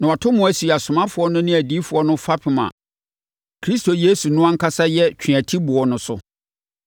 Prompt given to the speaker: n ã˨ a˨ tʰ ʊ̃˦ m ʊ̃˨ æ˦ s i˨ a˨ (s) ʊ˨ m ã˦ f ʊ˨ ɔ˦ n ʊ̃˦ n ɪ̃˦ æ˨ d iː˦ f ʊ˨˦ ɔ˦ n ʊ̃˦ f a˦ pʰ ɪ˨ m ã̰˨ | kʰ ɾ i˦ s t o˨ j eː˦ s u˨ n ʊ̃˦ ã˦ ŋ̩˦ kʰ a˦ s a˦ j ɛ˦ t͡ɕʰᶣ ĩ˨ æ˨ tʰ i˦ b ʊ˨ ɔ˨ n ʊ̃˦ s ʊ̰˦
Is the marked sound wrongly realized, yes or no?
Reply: no